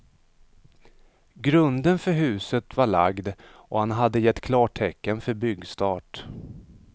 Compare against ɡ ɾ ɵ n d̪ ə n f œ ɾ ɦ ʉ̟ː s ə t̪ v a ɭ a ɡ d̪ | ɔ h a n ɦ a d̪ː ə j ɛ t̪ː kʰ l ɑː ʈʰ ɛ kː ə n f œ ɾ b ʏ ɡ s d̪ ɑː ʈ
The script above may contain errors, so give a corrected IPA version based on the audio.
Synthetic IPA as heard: ɡ ɾ ɵ n d̪ ə n f œ ɾ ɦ ʉ̟ː s ə t̪ v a ɭ a ɡ d̪ | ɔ h a n ɦ a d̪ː ə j ɛ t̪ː kʰ l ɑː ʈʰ ɛ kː ə n f œ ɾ b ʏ ɡ s t̪ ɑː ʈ